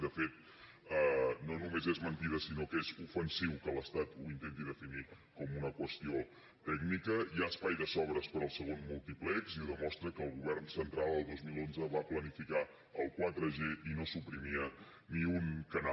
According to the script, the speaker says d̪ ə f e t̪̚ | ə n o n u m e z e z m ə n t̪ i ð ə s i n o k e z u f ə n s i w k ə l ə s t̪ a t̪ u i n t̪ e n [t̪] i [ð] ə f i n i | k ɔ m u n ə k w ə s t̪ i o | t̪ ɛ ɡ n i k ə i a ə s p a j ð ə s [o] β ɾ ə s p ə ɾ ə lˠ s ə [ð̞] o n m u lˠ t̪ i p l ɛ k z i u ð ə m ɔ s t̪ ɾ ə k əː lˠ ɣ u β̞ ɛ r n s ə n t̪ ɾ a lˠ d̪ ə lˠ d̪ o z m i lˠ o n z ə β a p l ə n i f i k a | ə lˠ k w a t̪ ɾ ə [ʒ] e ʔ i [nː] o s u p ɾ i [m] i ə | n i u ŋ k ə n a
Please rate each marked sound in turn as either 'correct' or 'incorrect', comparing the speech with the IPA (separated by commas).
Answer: correct, correct, incorrect, incorrect, correct, incorrect, correct